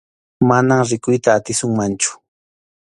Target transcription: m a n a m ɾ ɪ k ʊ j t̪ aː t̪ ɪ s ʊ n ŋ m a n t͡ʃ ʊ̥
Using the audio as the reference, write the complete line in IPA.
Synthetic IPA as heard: m a n a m ɾ ɪ k ʊ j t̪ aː t̪ ɪ s ʊ ŋ m a n t͡ʃ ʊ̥